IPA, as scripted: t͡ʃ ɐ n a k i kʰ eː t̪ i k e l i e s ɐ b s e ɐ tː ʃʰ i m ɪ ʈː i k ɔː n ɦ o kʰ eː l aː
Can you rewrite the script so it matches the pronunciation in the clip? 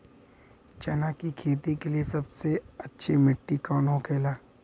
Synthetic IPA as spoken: t͡ʃ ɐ n a k i kʰ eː t̪ i k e l i e s ɐ b s e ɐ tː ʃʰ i m ɪ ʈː i k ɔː n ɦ o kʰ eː l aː